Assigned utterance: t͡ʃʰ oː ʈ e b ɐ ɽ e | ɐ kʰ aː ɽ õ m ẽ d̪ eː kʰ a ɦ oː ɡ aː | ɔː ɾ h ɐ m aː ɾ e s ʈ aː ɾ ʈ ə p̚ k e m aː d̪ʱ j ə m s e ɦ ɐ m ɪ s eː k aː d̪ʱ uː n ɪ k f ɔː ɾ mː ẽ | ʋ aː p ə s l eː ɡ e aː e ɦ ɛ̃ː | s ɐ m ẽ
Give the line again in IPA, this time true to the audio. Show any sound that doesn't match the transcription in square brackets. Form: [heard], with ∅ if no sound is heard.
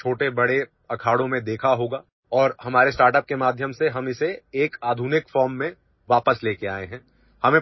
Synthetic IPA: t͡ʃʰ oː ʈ e b ɐ ɽ e | ɐ kʰ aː ɽ õ m ẽ d̪ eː kʰ a ɦ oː ɡ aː | ɔː ɾ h ɐ m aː ɾ e s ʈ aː ɾ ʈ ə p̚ k e m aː d̪ʱ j ə m s e ɦ ɐ m ɪ s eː k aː d̪ʱ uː n ɪ k f ɔː ɾ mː ẽ | ʋ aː p ə s l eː [k] e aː e ɦ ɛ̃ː | [h] ɐ m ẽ